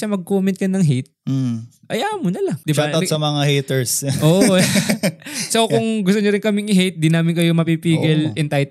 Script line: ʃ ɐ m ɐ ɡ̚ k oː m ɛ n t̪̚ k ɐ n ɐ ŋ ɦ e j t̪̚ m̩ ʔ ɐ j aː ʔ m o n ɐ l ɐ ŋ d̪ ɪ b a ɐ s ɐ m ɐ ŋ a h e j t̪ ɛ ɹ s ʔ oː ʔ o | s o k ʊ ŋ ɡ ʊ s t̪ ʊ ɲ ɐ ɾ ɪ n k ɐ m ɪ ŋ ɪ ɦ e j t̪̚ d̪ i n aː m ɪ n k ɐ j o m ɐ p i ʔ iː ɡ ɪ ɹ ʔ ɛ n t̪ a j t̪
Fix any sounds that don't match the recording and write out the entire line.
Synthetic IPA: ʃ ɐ m ɐ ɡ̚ k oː m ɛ n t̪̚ k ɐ n ɐ ŋ ɦ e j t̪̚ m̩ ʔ ɐ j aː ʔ m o n ɐ l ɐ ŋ d̪ ɪ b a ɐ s ɐ m ɐ ŋ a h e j t̪ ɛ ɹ s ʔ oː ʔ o | s o k ʊ ŋ ɡ ʊ s t̪ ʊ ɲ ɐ ɾ ɪ n k ɐ m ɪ ŋ ɪ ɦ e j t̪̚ d̪ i n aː m ɪ n k ɐ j o m ɐ p i p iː ɡ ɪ l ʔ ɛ n t̪ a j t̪